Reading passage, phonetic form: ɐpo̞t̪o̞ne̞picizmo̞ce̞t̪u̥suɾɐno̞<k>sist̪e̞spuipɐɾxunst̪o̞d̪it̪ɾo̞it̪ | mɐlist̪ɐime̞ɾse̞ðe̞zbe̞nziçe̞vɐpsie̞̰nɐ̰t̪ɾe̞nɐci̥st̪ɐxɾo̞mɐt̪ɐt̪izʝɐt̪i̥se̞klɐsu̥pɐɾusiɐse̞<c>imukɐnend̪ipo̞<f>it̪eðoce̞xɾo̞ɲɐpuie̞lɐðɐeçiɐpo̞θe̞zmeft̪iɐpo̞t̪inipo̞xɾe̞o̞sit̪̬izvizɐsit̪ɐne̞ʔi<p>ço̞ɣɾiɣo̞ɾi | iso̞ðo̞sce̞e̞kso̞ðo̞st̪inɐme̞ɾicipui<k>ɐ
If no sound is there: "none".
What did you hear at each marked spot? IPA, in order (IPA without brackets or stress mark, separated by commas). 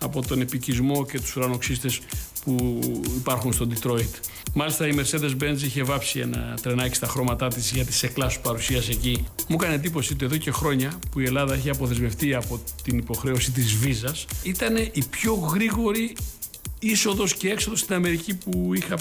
k, c, s, p, x